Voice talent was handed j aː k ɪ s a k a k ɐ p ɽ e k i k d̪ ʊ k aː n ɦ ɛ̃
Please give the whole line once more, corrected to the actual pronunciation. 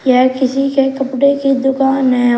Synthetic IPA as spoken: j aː k ɪ s i k e k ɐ p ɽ e k i d̪ ʊ k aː n ɦ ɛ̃